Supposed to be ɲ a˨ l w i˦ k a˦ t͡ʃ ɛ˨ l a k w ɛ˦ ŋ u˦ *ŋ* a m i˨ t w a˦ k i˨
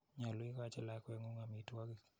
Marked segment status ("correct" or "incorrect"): correct